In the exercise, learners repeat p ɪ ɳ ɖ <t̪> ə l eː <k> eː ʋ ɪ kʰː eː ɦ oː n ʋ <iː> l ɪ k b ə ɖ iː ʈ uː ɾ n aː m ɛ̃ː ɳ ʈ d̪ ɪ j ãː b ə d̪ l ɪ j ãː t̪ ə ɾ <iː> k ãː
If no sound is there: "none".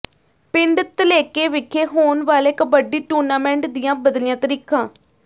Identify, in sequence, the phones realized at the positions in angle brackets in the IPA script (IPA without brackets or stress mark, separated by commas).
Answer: t̪, k, aː, iː